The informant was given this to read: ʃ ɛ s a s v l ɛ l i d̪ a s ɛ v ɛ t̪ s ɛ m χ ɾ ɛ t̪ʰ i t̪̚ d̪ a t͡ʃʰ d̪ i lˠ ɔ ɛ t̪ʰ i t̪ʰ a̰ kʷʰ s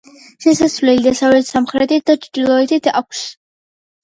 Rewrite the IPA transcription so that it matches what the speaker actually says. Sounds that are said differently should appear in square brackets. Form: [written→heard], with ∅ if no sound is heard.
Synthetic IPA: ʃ ɛ s a s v l ɛ l i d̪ a s [ɛ→a] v ɛ t̪ s [ɛ→a] m χ ɾ ɛ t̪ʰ i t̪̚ d̪ a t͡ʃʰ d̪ i lˠ ɔ ɛ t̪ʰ i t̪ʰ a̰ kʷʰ s